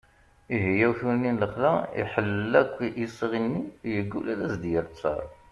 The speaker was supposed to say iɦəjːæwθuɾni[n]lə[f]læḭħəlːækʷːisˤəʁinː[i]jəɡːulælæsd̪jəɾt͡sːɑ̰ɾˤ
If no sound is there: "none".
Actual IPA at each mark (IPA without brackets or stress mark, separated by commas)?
n, χ, i